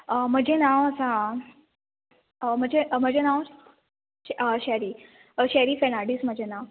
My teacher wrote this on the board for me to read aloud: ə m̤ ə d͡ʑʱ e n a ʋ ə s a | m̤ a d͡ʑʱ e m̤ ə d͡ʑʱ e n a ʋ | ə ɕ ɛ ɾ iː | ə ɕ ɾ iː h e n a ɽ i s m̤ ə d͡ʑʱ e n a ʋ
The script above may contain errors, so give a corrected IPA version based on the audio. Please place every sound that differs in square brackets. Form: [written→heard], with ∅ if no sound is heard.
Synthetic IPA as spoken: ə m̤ ə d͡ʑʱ e n a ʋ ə s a | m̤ [a→ə] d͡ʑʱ e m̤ ə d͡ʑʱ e n a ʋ | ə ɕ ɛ ɾ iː | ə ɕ ɾ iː [h→f] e n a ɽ i s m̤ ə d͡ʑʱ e n a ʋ